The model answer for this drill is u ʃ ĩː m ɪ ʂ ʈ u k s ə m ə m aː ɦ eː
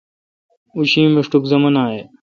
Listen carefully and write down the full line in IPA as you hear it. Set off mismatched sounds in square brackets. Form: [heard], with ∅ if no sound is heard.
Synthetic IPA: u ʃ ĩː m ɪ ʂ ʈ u k [z] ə m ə [n] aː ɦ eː